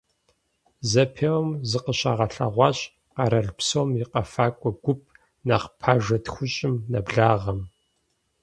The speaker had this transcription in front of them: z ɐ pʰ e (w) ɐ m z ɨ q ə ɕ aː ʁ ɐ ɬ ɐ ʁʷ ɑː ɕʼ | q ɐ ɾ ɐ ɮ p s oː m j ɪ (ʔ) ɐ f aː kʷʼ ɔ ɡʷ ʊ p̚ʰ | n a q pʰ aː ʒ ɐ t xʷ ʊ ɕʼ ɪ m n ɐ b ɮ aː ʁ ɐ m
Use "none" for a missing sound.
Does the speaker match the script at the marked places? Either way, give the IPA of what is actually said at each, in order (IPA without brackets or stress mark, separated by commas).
w, q